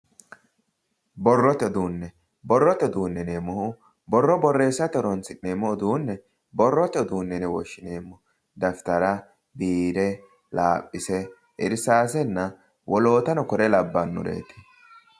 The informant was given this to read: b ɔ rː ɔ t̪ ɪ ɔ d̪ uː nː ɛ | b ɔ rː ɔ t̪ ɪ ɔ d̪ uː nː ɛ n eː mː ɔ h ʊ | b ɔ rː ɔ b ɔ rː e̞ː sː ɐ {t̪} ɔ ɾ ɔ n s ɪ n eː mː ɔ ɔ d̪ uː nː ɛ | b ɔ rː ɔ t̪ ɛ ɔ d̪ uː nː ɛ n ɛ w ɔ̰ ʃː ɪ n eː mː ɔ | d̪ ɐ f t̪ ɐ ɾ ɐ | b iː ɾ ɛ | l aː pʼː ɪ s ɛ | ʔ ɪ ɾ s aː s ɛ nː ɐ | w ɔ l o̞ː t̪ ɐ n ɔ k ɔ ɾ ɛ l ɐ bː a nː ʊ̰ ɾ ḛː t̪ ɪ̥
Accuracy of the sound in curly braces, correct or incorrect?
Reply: correct